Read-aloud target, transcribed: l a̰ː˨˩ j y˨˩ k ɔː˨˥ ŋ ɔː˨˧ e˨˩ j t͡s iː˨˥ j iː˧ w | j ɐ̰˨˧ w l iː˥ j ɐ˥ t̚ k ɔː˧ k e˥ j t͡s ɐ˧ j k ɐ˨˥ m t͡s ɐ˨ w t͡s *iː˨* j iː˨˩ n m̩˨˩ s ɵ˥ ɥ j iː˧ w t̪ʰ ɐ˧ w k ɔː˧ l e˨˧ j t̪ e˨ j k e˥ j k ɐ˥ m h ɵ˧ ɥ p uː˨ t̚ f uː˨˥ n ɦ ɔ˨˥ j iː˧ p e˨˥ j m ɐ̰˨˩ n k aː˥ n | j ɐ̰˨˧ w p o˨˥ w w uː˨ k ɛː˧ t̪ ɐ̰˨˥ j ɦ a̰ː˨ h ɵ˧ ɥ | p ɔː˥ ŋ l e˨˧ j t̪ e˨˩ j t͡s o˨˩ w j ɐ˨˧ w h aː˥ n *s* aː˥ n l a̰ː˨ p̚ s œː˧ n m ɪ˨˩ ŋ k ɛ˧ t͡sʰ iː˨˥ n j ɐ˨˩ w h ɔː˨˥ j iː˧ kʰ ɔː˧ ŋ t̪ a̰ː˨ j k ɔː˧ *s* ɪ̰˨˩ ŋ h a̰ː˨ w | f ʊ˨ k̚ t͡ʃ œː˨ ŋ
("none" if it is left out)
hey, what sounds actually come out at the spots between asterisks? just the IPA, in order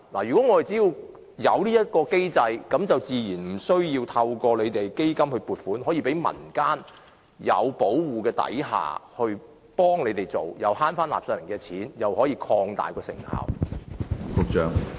iː˨, f, s

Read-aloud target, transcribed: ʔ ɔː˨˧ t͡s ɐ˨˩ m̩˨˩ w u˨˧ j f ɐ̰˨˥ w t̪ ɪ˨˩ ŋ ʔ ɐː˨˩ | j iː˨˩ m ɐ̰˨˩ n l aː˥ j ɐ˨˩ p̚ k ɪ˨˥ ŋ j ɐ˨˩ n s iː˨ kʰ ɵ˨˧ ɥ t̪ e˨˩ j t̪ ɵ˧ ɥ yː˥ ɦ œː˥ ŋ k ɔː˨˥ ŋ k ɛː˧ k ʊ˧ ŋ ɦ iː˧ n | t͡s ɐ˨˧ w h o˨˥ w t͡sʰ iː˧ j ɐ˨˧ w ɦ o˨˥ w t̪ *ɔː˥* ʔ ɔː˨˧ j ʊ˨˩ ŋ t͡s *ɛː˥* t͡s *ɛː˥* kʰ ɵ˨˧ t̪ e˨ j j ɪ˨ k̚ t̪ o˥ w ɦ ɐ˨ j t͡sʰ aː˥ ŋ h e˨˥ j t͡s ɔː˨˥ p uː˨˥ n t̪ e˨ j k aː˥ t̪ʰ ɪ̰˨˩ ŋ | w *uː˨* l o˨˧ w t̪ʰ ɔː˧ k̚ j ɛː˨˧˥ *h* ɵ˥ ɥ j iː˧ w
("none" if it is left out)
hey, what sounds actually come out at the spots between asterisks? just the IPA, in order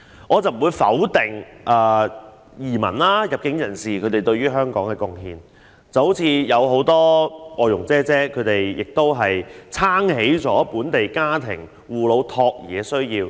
ɔː˥, ɛː˥, ɛː˥, uː˨, s

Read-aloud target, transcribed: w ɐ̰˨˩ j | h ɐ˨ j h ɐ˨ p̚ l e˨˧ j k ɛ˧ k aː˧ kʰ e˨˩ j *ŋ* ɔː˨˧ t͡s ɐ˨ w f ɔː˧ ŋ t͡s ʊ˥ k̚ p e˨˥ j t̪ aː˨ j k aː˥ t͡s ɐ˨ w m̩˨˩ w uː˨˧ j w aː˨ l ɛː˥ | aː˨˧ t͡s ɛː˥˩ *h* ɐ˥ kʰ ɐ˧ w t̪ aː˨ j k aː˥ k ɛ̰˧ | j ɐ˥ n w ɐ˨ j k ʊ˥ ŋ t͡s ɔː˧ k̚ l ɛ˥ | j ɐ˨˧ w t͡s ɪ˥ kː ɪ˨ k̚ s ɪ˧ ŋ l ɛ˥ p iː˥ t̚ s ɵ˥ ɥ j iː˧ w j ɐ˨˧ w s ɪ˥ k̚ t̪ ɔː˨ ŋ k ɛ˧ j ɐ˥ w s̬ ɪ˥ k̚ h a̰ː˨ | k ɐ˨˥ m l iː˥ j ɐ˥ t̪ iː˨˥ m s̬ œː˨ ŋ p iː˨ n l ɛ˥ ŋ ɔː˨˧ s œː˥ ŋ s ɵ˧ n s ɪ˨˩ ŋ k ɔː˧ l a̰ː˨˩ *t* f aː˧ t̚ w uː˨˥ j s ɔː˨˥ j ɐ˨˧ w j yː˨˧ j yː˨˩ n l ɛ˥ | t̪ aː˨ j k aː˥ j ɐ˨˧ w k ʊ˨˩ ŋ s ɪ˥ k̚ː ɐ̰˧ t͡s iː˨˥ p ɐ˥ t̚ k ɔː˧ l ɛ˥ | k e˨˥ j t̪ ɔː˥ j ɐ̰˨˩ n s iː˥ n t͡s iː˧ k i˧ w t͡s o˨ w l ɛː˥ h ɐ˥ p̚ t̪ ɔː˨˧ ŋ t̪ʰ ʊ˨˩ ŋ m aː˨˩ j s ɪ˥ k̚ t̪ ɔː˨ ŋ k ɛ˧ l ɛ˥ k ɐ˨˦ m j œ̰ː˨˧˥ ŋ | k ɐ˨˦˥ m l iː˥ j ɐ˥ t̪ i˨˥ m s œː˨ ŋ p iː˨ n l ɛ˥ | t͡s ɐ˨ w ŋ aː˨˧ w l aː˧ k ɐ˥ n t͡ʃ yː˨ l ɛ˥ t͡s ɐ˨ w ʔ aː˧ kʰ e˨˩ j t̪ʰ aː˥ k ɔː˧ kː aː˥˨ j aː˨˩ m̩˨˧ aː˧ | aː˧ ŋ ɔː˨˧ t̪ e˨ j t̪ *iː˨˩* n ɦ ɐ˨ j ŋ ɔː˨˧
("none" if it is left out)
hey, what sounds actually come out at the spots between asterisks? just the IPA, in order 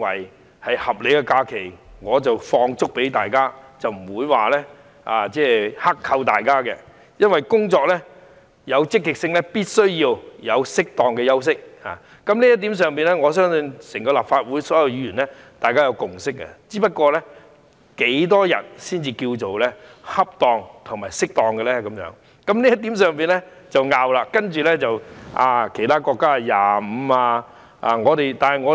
ŋ, h, p, aː˨˩

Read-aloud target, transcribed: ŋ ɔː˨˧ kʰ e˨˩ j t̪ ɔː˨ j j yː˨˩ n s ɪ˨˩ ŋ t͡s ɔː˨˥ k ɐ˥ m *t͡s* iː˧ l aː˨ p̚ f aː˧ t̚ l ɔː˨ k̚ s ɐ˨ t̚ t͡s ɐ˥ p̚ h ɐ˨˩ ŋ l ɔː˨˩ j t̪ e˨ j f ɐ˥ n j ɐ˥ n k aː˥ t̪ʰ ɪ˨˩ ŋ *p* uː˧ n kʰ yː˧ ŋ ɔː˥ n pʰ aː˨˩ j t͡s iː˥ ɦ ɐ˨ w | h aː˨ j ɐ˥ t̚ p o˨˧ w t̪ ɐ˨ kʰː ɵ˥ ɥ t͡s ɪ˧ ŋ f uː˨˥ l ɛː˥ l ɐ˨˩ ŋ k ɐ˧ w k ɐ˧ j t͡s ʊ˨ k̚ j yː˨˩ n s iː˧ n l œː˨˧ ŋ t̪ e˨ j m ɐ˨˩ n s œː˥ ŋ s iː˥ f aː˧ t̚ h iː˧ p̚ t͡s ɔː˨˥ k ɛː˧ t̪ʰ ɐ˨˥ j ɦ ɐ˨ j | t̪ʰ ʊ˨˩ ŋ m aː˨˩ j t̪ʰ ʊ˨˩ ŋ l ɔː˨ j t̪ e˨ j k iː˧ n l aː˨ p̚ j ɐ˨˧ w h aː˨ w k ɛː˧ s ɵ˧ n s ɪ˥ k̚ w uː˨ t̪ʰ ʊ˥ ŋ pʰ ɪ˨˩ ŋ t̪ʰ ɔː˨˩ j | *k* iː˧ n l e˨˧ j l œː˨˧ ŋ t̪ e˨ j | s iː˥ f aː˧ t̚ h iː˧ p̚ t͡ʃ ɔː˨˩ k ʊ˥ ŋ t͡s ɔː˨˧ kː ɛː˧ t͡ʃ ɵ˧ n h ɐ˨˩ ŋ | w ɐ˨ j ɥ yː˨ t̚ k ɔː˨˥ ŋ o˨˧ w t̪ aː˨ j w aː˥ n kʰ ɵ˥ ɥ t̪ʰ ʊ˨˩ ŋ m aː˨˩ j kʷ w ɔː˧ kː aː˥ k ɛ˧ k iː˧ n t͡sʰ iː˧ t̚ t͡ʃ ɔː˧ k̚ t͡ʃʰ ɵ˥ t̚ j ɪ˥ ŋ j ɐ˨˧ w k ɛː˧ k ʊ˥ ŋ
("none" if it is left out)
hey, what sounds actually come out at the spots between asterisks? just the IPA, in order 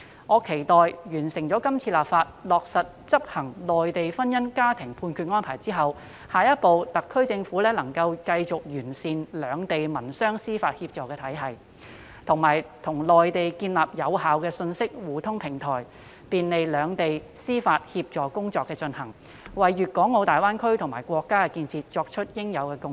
t͡sʰ, pʰ, p

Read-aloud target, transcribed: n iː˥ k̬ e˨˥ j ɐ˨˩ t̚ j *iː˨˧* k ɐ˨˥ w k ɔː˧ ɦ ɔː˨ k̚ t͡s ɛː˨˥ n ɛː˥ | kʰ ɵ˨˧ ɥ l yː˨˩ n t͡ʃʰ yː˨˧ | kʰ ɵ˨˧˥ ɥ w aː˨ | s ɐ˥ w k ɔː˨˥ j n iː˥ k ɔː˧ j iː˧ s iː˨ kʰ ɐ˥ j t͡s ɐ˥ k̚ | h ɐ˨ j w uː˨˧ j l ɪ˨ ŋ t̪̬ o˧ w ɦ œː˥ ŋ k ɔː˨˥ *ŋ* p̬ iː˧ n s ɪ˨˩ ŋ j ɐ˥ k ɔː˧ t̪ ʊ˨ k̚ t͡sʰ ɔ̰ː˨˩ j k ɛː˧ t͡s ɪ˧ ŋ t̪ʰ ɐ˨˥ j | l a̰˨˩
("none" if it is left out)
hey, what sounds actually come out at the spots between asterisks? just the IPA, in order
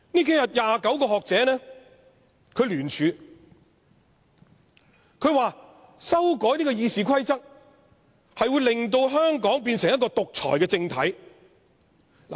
aː˨˧, ŋ

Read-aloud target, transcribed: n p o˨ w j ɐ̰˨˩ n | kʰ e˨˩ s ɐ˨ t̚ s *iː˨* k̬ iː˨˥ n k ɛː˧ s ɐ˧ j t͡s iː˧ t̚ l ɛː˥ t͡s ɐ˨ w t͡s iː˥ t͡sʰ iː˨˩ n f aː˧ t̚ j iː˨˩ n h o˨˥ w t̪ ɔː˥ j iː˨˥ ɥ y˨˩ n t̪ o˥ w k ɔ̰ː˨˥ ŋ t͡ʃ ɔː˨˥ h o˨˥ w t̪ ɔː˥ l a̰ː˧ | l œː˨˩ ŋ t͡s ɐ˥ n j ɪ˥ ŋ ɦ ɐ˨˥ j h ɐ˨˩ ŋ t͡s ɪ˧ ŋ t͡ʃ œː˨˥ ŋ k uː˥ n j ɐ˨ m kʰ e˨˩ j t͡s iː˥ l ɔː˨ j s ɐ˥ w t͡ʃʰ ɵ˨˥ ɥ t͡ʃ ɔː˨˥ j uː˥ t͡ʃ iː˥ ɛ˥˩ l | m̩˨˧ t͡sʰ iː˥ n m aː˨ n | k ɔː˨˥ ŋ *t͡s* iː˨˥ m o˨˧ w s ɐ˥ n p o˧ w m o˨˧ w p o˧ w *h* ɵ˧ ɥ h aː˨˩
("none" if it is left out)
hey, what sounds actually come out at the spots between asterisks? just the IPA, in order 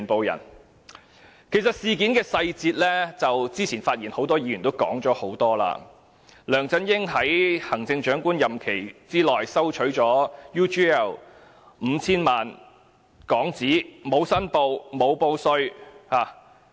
iː˨, t͡s, s

